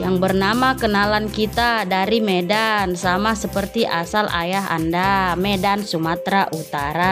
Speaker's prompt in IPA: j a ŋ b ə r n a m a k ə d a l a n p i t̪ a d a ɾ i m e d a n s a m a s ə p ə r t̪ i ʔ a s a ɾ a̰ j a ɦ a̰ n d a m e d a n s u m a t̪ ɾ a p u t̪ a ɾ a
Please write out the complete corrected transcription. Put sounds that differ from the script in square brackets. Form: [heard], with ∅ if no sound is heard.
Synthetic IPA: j a ŋ b ə r n a m a k ə [n] a l a n [k] i t̪ a d a ɾ i m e d a n s a m a s ə p ə r t̪ i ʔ a s a [l] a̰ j a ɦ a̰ n d a m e d a n s u m a t̪ ɾ a [ʔ] u t̪ a ɾ a